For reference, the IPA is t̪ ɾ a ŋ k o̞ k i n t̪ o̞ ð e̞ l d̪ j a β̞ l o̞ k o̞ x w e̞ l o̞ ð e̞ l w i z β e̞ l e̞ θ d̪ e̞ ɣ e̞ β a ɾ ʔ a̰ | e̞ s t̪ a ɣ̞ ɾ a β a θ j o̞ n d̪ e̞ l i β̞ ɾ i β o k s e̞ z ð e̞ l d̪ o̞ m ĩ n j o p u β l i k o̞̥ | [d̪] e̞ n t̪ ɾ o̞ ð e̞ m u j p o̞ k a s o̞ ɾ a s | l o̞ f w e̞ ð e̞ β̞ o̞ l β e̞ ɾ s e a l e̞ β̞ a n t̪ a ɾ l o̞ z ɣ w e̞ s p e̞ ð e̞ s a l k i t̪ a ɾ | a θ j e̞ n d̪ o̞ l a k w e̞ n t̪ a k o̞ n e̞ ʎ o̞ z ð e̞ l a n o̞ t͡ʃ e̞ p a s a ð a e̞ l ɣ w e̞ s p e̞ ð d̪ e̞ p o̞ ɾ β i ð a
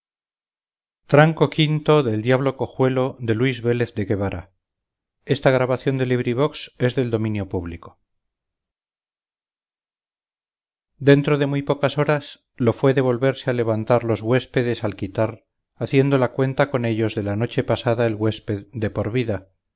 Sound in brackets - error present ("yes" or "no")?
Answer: no